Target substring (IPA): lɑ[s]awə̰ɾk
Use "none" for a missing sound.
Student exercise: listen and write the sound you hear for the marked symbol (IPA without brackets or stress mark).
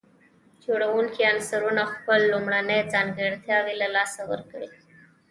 s